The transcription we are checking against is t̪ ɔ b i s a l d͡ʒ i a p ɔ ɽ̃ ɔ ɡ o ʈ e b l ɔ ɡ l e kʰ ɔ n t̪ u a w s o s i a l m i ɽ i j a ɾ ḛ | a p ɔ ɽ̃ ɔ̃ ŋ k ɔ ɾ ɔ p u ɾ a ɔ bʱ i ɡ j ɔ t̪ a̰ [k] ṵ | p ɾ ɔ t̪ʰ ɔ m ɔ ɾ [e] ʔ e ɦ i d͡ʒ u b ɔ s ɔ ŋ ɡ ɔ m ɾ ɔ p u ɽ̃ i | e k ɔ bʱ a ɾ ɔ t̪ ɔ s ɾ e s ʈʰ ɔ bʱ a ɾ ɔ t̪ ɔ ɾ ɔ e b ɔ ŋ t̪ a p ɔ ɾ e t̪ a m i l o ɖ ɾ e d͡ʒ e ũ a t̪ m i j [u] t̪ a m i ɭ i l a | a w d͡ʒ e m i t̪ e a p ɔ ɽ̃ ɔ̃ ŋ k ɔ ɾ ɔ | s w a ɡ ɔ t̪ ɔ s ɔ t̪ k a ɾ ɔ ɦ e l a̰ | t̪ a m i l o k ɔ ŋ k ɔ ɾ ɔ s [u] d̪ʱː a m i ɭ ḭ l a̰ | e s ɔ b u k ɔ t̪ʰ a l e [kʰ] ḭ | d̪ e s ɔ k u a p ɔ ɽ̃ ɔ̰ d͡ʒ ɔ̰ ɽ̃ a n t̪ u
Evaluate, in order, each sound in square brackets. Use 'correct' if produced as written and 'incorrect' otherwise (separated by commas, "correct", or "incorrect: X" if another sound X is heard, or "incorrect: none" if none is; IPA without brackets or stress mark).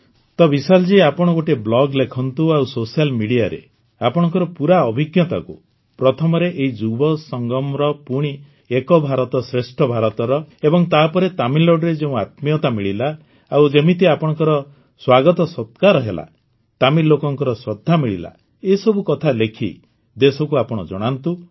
correct, correct, incorrect: ɔ, incorrect: ɔ, correct